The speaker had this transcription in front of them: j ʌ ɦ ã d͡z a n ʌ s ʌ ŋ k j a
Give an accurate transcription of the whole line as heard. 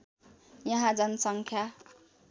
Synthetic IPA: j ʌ ɦ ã d͡z ʌ n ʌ s ʌ ŋ kʰ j a